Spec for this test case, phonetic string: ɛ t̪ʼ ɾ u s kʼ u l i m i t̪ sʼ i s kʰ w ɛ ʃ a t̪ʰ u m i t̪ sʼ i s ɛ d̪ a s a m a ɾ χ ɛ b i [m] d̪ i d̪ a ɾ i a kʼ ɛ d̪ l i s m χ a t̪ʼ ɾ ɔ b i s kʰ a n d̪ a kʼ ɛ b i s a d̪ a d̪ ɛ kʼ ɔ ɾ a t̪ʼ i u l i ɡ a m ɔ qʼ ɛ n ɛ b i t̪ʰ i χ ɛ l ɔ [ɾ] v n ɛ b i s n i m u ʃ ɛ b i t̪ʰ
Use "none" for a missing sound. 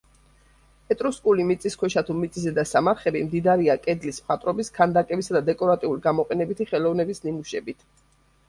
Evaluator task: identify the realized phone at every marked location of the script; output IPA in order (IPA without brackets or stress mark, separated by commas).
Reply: m, none